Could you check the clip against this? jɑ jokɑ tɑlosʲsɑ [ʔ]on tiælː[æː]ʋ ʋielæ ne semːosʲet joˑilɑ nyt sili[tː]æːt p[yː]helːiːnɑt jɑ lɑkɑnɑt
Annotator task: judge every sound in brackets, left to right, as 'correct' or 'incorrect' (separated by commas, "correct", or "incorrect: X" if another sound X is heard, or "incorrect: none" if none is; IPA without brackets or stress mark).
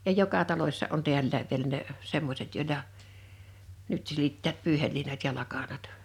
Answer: correct, correct, correct, correct